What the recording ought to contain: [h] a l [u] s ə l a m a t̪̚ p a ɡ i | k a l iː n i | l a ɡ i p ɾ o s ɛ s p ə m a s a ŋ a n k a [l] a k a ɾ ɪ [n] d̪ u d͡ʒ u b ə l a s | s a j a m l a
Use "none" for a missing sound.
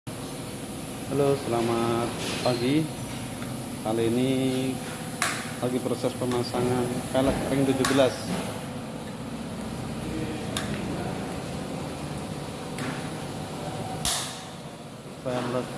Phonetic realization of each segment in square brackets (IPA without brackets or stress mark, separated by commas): h, o, l, ŋ